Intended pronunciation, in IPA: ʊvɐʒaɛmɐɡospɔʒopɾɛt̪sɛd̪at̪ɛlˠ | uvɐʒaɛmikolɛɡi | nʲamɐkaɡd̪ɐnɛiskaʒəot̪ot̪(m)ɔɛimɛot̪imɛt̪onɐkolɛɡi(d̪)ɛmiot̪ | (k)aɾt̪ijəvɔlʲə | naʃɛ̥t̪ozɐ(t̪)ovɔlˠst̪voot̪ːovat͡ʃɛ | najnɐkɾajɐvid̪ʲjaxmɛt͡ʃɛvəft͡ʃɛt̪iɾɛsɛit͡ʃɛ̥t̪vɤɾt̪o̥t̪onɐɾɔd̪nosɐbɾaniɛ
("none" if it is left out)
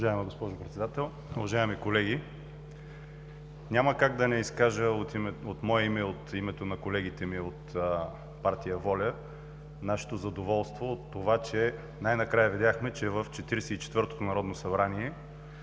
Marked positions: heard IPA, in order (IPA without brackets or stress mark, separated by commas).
m, t̪, p, d̪